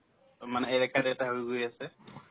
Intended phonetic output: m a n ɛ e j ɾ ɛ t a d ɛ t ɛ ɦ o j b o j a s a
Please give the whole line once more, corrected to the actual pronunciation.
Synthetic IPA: m a n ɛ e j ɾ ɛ k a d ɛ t a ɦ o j ɡ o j a s ɛ